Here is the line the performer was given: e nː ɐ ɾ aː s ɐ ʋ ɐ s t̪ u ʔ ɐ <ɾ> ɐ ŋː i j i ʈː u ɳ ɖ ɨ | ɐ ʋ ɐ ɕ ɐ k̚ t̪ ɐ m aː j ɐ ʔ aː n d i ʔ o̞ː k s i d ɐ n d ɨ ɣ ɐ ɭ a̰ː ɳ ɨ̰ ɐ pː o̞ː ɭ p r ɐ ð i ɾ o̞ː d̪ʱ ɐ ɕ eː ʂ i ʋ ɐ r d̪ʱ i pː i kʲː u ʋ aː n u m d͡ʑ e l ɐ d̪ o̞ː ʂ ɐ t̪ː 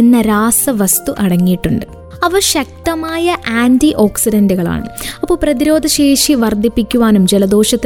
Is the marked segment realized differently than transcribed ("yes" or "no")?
yes